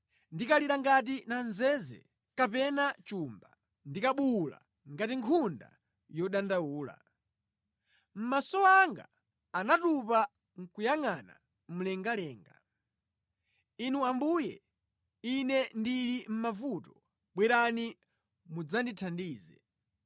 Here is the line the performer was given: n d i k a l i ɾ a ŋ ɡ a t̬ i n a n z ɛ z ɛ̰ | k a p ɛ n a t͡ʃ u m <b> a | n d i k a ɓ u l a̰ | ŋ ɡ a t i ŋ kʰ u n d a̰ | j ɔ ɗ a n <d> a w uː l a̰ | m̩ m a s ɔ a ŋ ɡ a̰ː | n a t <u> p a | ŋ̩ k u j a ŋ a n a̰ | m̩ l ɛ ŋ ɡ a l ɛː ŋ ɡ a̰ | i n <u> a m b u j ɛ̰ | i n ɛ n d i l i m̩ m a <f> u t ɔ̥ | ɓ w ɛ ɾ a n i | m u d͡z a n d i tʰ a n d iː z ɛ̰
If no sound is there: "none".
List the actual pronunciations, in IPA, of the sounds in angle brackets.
b, d, u, u, v

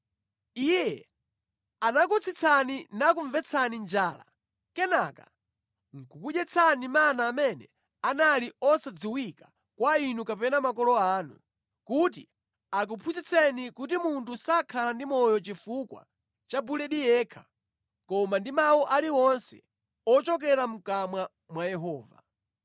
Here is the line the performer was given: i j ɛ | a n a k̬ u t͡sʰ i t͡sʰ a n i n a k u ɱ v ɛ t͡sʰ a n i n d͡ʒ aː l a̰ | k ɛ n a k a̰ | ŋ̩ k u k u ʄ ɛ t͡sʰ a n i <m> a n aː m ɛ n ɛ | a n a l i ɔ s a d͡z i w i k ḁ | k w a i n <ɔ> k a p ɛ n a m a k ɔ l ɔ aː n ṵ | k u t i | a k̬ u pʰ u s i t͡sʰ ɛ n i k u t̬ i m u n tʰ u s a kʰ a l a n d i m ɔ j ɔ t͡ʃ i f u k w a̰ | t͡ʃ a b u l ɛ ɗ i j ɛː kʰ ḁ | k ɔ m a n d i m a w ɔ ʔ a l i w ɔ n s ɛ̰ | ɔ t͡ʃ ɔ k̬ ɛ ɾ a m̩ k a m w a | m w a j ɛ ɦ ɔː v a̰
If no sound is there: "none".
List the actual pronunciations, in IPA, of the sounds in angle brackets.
m, u

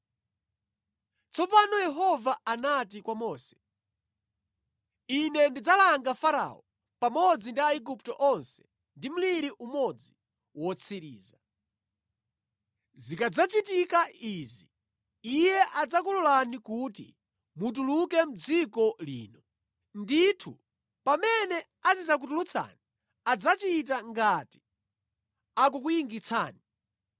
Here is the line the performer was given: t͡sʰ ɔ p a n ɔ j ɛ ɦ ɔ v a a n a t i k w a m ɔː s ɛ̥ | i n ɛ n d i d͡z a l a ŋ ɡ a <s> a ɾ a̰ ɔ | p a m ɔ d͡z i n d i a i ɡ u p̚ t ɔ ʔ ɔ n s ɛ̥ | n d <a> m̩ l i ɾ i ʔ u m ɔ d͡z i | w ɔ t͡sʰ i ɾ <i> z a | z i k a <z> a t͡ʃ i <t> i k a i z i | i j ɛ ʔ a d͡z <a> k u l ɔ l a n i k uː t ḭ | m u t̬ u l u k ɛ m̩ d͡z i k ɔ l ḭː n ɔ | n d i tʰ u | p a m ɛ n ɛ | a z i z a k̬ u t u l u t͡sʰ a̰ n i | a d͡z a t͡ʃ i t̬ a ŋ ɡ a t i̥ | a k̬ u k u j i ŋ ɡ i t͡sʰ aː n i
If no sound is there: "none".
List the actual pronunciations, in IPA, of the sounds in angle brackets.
f, i, iː, d͡z, t, a

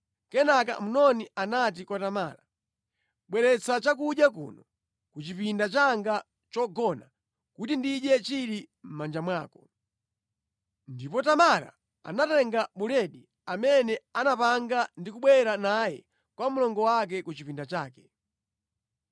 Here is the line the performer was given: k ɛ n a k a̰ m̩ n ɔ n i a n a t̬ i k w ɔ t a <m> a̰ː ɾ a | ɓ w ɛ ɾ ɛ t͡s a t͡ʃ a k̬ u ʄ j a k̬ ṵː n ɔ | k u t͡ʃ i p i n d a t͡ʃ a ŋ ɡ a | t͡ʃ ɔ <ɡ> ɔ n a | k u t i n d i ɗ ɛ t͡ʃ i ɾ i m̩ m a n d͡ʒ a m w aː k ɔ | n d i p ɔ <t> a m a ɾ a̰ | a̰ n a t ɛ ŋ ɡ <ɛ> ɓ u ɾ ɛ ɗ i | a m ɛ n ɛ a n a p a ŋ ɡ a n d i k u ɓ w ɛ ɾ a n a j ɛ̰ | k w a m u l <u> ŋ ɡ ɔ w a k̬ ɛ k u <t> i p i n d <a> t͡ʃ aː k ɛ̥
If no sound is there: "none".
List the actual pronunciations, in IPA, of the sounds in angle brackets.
m, ɡ, t, a, ɔ, t͡ʃ, a

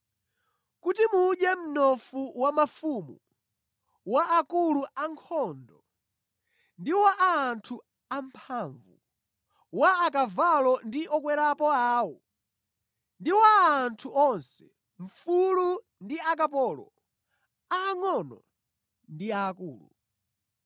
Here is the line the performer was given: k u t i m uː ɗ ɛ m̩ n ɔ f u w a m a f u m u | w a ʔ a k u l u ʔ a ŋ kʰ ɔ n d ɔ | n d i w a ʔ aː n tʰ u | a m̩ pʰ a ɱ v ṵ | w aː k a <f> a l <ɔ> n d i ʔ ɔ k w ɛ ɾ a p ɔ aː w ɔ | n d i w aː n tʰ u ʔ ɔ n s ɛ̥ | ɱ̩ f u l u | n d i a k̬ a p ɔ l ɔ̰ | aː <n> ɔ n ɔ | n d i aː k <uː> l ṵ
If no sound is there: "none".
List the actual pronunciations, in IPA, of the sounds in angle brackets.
v, ɔ, ŋ, uː

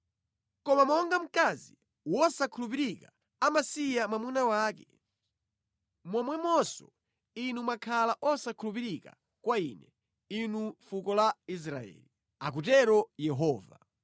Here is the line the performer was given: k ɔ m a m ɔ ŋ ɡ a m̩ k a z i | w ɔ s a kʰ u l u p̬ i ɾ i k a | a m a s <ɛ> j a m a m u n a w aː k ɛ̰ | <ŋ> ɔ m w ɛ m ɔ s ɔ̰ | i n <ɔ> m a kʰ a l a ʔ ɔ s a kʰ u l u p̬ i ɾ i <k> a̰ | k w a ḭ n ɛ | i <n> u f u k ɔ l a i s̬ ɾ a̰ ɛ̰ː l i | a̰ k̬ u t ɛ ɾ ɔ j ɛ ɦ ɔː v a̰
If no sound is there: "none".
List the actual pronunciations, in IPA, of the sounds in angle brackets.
i, m, u, k, n

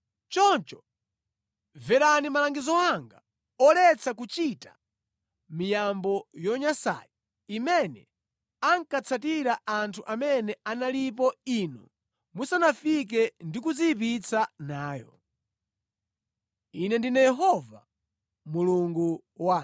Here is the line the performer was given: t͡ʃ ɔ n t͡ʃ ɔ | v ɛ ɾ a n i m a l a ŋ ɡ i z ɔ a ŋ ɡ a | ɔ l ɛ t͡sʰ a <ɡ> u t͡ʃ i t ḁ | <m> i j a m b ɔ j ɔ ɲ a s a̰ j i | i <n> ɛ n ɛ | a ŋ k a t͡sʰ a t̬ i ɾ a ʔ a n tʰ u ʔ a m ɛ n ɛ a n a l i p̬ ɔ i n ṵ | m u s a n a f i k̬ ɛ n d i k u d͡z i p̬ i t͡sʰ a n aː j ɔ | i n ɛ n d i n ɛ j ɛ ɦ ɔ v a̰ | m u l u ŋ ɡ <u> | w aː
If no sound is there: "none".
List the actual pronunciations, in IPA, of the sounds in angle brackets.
k, m, m, u

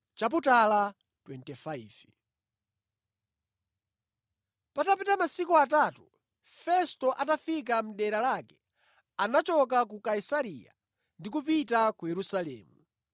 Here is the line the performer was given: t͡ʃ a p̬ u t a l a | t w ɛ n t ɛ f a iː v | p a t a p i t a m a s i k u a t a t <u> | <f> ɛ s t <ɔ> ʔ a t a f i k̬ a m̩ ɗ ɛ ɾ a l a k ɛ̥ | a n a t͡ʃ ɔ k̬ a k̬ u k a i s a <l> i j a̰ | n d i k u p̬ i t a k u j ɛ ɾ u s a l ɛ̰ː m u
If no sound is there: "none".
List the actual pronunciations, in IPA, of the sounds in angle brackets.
u, f, ɔ, ɾ

